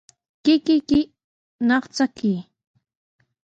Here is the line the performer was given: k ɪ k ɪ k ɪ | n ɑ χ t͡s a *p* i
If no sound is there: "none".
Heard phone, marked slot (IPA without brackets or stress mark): k